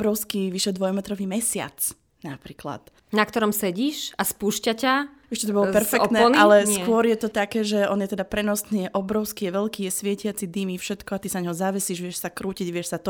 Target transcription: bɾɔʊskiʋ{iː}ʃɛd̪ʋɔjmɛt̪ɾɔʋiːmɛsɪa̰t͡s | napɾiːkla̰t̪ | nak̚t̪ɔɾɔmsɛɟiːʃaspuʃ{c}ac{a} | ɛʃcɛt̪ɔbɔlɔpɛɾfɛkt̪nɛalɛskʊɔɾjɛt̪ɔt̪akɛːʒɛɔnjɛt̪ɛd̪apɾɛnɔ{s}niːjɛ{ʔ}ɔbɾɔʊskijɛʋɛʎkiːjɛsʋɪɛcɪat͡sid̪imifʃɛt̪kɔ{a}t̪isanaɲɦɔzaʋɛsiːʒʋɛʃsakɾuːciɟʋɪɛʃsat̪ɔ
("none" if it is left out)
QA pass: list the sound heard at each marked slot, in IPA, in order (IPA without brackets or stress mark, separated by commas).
i, c, a, s, ʔ, a